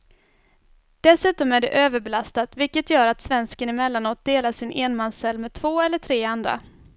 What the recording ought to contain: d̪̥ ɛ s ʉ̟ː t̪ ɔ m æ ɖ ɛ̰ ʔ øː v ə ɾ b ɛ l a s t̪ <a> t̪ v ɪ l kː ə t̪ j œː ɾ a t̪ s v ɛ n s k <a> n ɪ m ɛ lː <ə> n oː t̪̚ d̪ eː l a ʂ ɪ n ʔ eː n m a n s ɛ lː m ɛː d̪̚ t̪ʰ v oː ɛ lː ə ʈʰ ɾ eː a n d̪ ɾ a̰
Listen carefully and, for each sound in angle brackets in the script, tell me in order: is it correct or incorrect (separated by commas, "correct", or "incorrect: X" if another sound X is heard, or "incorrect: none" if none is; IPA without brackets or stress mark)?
correct, incorrect: ə, incorrect: a